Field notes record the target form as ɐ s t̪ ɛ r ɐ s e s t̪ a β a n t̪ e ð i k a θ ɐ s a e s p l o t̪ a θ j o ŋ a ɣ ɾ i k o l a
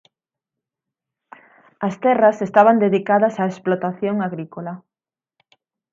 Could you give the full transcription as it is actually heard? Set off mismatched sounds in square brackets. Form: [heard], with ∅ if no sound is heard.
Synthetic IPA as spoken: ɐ s t̪ ɛ r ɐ s e s t̪ a β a n [d̪] e ð i k a [ð] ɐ s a e s p l o t̪ a θ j o ŋ a ɣ ɾ i k o l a

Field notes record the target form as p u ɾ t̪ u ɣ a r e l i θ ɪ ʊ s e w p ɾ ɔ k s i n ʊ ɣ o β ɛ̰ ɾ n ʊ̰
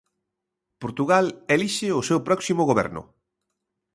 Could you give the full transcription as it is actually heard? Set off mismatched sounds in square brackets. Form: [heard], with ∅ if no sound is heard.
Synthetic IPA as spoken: p [o] ɾ t̪ u ɣ a [l] e l i [ʃ] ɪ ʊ s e w p ɾ ɔ k s i [m] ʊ ɣ o β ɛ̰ ɾ n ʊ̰

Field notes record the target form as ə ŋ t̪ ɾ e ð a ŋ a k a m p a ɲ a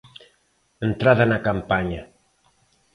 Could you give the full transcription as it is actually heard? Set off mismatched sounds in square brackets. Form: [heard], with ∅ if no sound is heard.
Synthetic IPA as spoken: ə [n] t̪ ɾ [a] ð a [n] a k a m p a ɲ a

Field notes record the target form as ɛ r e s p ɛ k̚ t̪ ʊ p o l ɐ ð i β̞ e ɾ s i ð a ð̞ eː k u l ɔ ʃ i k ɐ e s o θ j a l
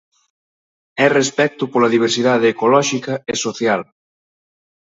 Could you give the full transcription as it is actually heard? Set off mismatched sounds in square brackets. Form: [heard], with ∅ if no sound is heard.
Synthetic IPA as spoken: ɛ r e s p ɛ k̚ t̪ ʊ p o l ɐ ð i β̞ e ɾ s i ð a ð̞ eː k [o] l ɔ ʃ i k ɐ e s o θ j a l

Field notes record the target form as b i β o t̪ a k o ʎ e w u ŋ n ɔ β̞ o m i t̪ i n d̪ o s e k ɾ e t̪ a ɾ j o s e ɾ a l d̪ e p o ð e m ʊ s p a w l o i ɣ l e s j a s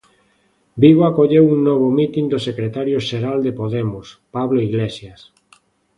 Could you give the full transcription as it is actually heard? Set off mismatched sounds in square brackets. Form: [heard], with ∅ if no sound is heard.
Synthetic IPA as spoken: b i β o [∅] a k o ʎ e w u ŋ n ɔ β̞ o m i t̪ i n d̪ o s e k ɾ e t̪ a ɾ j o [ʃ] e ɾ a l d̪ e p o ð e m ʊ s p a [β] l o i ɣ l e s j a s

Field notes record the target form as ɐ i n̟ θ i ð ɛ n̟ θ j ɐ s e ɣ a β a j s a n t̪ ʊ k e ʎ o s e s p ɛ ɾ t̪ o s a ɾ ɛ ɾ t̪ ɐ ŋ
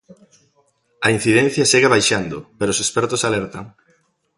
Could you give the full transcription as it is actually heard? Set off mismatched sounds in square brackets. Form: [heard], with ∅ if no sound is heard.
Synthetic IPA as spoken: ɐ i n̟ θ i ð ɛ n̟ θ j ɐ s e ɣ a β a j [ʃ] a n [d̪] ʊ [p] e [ɾ] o s e s p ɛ ɾ t̪ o s a [l] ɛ ɾ t̪ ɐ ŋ

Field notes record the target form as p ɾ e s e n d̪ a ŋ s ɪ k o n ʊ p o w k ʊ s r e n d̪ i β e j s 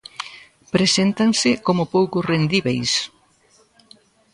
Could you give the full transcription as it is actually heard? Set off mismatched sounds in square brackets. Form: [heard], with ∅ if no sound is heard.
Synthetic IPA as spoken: p ɾ e s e n [t̪] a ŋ s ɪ k o [m] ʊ p o w k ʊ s r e n d̪ i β e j s

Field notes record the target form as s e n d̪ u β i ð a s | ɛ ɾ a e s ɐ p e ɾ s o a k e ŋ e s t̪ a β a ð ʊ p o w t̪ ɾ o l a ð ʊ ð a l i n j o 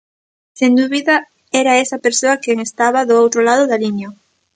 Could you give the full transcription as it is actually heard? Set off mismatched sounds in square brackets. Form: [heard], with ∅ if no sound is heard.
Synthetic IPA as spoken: s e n d̪ u β i ð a [∅] | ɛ ɾ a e s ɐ p e ɾ s o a k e ŋ e s t̪ a β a ð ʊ [∅] o w t̪ ɾ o l a ð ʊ ð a l i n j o

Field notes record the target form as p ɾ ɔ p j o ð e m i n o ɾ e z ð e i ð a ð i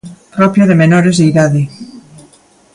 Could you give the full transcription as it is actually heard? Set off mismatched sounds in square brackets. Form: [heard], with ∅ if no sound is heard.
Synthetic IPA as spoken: p ɾ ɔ p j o ð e m [e] n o ɾ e z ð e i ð a ð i

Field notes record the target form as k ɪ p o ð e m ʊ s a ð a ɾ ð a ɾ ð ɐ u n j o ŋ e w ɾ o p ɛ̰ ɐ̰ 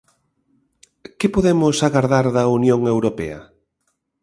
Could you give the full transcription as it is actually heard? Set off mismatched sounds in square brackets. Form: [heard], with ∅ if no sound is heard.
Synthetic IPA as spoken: k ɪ p o ð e m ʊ s a [ɣ] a ɾ ð a ɾ ð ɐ u n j o ŋ e w ɾ o p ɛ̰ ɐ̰

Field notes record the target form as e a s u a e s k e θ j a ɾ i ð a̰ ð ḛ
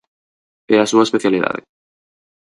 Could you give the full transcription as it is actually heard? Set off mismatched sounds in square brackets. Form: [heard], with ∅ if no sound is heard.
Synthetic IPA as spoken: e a s u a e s [p] e θ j a [l] i ð a̰ ð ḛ

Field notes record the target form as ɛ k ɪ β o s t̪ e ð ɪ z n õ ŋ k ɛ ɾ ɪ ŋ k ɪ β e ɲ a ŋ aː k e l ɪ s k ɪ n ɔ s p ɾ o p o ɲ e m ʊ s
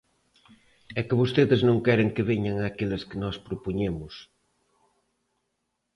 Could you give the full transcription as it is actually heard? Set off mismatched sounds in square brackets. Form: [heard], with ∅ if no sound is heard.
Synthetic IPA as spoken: ɛ k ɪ β o s t̪ e ð ɪ z n õ ŋ k ɛ ɾ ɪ ŋ k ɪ β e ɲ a ŋ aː k e l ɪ s k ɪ n ɔ s p ɾ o p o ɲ e m ʊ s

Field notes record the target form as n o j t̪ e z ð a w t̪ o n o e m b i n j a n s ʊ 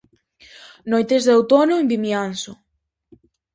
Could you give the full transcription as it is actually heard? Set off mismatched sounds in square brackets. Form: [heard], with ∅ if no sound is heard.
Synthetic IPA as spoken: n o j t̪ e z ð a w t̪ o n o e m b i [m] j a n s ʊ

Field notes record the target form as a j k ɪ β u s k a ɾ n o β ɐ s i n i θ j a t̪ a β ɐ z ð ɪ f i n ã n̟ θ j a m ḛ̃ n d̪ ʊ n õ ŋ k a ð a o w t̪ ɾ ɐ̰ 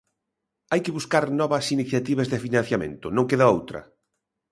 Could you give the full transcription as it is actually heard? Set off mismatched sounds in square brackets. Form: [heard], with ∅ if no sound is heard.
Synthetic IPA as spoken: a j k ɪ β u s k a ɾ n [ɔ] β ɐ s i n i θ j a t̪ [i] β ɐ z ð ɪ f i n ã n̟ θ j a m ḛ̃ n [t̪] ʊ n õ ŋ k [e] ð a o w t̪ ɾ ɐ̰

